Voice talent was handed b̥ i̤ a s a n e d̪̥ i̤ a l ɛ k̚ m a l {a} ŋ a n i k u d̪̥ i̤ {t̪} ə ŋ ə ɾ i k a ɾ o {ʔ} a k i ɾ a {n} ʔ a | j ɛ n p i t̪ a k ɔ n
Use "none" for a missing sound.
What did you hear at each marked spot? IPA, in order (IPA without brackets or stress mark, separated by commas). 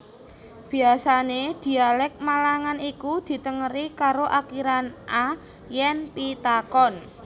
a, t̪, ʔ, n